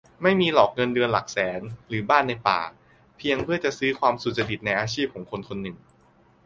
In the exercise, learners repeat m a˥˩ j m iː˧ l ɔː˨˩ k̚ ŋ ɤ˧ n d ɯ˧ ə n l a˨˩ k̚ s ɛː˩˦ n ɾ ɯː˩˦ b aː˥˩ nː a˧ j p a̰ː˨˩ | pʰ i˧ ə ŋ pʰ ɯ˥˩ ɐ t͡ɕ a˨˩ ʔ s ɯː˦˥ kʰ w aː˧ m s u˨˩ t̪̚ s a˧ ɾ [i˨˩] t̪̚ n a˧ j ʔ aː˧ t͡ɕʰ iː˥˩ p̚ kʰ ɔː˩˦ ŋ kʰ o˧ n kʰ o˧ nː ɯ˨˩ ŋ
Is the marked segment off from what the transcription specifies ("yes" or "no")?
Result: no